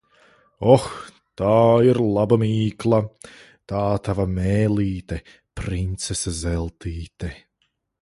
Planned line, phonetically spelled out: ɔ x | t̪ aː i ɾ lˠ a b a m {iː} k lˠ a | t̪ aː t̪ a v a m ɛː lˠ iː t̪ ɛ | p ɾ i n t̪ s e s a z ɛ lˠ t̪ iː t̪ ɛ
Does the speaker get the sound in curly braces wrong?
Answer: no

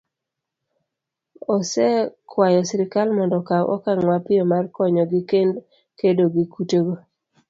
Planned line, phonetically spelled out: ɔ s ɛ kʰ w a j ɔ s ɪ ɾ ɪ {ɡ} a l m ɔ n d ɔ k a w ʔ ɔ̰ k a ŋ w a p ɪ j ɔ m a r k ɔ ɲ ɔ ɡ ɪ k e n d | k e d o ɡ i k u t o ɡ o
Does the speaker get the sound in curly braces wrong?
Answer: yes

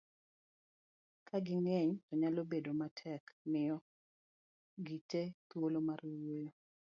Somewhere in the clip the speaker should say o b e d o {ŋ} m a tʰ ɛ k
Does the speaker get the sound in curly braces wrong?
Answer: yes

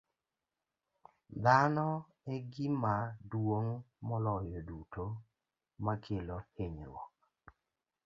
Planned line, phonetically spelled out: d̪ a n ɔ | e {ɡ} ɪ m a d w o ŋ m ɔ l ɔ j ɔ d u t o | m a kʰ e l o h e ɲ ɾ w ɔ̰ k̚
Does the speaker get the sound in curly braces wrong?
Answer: no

